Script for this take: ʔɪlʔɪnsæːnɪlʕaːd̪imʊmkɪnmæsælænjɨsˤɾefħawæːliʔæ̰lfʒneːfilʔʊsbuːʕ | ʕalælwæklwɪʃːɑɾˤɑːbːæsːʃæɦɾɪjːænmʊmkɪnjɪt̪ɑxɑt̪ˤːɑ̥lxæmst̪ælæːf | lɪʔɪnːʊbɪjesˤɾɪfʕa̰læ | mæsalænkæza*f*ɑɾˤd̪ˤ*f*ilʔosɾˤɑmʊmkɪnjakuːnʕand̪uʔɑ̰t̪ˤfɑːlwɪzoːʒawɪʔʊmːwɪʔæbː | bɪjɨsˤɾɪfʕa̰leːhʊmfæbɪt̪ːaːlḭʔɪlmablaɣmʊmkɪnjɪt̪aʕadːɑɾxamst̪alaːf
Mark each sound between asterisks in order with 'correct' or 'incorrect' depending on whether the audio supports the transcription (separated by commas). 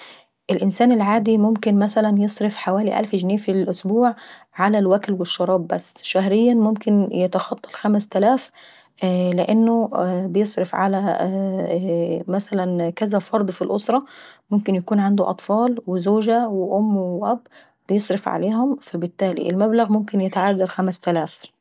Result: correct, correct